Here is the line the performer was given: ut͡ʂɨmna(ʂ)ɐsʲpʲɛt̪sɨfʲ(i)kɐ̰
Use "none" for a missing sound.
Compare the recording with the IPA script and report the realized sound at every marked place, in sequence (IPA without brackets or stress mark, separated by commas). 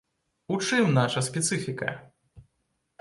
ʂ, i